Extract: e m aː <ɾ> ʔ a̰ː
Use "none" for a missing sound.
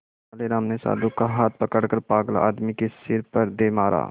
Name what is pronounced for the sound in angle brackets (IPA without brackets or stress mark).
ɾ